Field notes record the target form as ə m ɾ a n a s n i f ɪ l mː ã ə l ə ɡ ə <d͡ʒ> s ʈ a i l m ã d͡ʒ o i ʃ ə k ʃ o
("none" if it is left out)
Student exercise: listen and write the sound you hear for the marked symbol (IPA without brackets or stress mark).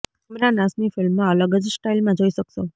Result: d͡ʒ